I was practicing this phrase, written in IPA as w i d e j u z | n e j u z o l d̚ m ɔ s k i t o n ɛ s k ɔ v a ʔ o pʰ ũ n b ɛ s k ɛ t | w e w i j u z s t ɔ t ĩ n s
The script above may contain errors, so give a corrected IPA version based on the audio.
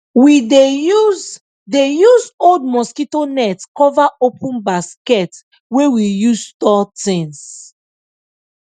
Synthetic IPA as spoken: w i d e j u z | d e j u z o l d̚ m ɔ s k i t o n ɛ t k ɔ v a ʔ o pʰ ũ n b a s k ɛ t | w e w i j u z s t ɔ t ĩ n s

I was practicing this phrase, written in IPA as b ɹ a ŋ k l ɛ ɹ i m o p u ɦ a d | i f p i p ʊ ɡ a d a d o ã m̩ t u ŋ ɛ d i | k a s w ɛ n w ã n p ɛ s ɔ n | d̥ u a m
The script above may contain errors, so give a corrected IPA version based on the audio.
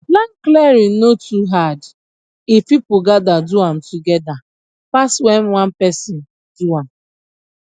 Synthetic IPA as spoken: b l a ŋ k l ɛ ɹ i n o t u ɦ a d | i f p i p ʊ ɡ a d a d u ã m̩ t u ɡ ɛ d a | p a s w ɛ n w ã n p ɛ s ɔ n | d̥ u a m

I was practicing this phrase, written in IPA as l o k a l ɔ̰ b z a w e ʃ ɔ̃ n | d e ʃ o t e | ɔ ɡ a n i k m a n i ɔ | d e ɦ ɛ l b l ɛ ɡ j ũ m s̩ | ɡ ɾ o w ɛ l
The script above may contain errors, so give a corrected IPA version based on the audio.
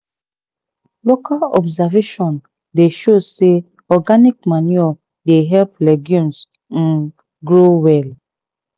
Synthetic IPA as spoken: l o k a l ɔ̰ b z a v e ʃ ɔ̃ n | d e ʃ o s e | ɔ ɡ a n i k m a n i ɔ | d e ɦ ɛ l p l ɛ ɡ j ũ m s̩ | ɡ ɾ o w ɛ l

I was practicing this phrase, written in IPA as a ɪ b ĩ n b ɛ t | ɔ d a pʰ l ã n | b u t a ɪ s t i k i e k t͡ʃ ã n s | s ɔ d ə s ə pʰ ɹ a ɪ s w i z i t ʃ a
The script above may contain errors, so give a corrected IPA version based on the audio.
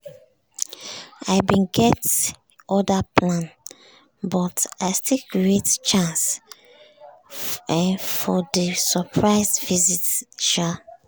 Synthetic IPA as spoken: a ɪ b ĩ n ɡ ɛ t | ɔ d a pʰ l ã n | b ɔ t a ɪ s t i k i e t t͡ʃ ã n s | f ɔ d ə s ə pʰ ɹ a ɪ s v i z i t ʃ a

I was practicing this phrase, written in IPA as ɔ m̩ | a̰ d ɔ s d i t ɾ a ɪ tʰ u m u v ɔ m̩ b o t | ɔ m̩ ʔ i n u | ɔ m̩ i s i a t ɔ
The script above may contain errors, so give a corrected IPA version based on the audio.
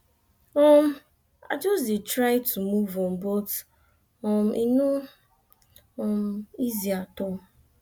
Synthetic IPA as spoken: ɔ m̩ | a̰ d͡ʒ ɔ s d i t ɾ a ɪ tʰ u m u v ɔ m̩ b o t | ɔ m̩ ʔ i n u | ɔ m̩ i z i a t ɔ

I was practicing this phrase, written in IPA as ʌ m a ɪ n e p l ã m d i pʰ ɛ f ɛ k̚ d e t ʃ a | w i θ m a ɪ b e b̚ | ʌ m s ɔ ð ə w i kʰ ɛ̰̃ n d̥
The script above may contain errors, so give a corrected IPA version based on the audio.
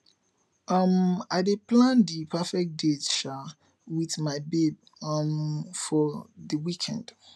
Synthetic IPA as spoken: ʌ m a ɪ d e p l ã n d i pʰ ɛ f ɛ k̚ d e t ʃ a | w i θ m a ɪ b e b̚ | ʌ m f ɔ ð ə w i kʰ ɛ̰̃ n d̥

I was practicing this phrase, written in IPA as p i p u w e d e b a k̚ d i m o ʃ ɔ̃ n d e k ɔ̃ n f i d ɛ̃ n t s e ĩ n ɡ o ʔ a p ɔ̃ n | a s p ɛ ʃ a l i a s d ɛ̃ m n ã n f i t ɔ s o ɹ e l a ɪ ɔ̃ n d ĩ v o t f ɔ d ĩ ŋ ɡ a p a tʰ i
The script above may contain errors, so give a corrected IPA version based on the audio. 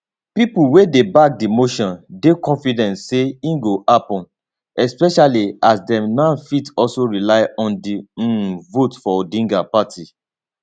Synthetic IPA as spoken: p i p u w e d e b a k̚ d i m o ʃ ɔ̃ n d e k ɔ̃ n f i d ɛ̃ n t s e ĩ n ɡ o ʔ a p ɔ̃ n | ɛ s p ɛ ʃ a l i a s d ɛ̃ m n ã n f i t ɔ s o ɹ i l a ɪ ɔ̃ n d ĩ v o t f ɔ d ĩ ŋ ɡ a p a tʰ i

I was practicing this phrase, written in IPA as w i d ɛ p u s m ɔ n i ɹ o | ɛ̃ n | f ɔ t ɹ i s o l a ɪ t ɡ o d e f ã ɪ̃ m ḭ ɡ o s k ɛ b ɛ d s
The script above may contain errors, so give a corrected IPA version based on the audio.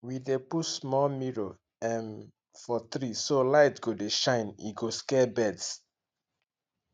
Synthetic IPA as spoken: w i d e p u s m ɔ m i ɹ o | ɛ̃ n | f ɔ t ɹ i s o l a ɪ t ɡ o d e ʃ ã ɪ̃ n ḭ ɡ o s k ɛ b ɛ d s

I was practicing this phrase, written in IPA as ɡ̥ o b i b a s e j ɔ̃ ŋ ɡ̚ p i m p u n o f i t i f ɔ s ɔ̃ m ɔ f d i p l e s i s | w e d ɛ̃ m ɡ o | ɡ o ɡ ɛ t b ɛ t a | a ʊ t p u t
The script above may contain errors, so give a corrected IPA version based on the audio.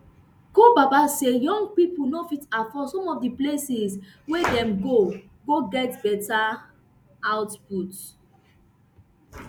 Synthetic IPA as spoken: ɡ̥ o b a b a s e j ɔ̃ ŋ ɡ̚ p i p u n o f i t a f ɔ s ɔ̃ m ɔ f d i p l e s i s | w e d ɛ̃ m ɡ o | ɡ o ɡ ɛ t b ɛ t a | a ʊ t p u t

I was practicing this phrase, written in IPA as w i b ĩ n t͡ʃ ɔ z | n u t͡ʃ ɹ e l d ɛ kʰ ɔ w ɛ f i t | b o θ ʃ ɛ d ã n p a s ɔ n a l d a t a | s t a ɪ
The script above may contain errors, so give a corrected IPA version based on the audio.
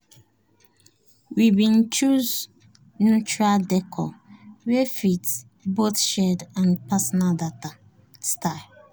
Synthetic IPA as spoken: w i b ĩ n t͡ʃ u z | n u t͡ʃ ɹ a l d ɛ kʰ ɔ w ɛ f i t | b o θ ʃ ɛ d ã n p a s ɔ n a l d a t a | s t a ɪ

